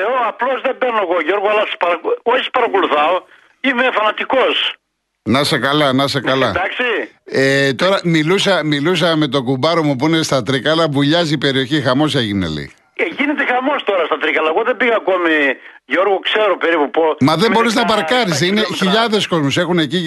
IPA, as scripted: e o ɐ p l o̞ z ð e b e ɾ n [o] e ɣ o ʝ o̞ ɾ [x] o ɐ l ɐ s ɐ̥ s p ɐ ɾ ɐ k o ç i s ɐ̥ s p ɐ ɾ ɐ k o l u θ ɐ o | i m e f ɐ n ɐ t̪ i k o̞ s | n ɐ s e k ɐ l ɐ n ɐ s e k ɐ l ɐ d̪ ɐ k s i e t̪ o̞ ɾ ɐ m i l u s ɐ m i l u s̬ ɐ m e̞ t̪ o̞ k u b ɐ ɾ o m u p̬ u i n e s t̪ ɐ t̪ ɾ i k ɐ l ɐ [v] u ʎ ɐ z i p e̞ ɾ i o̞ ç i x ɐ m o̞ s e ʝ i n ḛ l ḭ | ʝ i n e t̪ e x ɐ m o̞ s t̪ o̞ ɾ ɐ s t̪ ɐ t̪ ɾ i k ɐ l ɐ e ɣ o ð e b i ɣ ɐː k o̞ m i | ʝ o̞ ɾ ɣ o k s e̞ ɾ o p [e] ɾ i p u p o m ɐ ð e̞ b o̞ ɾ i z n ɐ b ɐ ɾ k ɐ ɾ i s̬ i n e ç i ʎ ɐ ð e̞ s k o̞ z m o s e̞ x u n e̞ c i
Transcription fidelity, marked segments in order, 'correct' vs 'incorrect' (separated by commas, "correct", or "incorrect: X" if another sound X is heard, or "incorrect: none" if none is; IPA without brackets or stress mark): correct, incorrect: ɣ, correct, correct